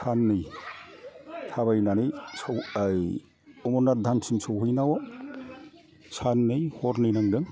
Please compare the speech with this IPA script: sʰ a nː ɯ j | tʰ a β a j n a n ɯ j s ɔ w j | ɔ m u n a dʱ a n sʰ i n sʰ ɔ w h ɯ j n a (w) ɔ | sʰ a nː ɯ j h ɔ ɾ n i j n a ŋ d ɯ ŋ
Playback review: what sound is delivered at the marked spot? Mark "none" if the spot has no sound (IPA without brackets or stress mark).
w